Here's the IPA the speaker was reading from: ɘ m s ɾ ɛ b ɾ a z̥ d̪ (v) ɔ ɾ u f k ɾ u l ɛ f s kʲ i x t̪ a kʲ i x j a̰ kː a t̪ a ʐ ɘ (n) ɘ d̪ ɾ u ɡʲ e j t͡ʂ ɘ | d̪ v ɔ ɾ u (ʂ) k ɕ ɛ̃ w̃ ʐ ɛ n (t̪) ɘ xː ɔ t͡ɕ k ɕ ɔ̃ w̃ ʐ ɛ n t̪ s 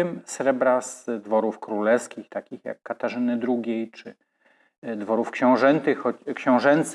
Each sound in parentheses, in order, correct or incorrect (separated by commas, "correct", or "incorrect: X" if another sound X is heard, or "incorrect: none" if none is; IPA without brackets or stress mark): correct, correct, incorrect: f, correct